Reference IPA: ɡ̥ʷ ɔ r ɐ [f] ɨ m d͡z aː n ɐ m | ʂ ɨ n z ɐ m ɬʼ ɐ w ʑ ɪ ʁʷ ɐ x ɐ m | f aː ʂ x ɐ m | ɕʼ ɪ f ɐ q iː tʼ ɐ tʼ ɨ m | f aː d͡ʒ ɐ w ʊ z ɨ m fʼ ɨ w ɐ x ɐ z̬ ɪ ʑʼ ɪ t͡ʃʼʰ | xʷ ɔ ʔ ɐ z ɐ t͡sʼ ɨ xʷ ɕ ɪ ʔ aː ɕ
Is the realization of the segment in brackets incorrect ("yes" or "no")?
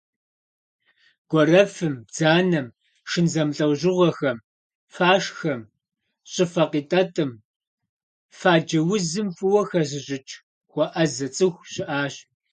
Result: no